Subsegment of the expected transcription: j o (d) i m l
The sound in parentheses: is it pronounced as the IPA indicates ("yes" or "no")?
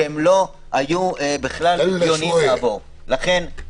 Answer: no